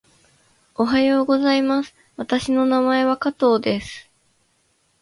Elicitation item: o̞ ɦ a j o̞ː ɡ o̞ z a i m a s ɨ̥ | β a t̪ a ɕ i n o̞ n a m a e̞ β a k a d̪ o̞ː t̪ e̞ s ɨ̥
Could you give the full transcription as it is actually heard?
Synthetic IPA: o̞ ɦ a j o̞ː ɡ o̞ z a i m a s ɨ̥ | β a t̪ a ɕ i n o̞ n a m a e̞ β a k a t̪ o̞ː d̪ e̞ s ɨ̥